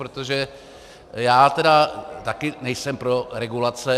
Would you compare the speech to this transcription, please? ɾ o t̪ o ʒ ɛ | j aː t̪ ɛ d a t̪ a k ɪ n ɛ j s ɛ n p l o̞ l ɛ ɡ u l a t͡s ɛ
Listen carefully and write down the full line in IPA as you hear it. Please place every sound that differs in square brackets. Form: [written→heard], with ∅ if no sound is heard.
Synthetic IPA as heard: ɾ o t̪ o ʒ ɛ | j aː t̪ ɛ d a t̪ a k ɪ n ɛ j s ɛ [n→m] p [l→ɾ] o̞ [l→ɾ] ɛ ɡ u l a t͡s ɛ